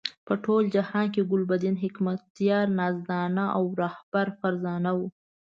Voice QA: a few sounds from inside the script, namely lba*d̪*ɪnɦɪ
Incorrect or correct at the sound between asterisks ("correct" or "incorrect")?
correct